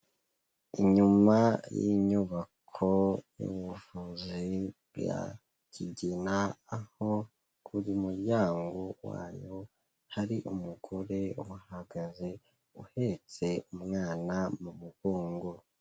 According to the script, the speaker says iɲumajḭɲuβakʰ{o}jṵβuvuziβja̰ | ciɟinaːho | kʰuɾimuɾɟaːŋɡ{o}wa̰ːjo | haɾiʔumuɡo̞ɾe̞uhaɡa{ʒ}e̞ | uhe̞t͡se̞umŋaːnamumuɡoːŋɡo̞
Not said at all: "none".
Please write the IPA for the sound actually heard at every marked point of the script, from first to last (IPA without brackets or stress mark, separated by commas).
o, o, z